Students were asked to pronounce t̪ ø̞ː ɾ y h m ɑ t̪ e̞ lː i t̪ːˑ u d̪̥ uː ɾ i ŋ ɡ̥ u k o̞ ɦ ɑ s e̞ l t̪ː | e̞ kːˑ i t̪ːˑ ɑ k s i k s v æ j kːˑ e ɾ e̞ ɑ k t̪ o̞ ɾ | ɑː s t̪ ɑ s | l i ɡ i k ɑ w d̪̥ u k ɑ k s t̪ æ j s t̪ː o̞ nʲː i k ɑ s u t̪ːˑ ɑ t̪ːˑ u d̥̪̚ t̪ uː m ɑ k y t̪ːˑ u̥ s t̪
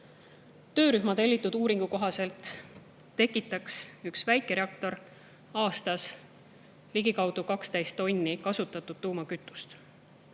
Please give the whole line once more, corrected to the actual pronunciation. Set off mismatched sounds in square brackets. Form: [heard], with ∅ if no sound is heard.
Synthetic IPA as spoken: t̪ ø̞ː ɾ y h m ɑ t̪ e̞ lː i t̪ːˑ u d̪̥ uː ɾ i ŋ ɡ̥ u k o̞ ɦ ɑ s e̞ l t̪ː | e̞ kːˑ i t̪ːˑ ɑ k s [y] k s v æ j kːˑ e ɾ e̞ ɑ k t̪ o̞ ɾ | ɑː s t̪ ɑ s | l i ɡ i k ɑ w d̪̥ u k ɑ k s t̪ æ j s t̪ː o̞ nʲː i k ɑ s u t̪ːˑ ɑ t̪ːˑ u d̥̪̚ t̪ uː m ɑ k y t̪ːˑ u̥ s t̪